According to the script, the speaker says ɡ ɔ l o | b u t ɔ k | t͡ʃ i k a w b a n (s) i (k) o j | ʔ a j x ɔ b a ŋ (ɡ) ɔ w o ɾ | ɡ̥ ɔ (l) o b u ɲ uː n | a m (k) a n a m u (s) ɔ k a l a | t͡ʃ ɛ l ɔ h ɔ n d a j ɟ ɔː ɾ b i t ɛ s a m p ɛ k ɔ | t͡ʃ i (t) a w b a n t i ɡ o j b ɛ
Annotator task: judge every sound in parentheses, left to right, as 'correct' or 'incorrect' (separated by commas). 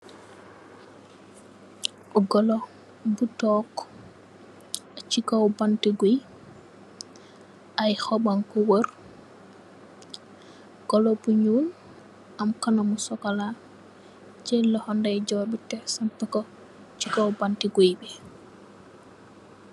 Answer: incorrect, incorrect, incorrect, correct, correct, correct, incorrect